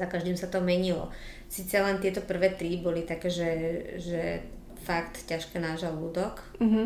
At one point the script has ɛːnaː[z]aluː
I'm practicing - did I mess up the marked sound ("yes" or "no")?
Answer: yes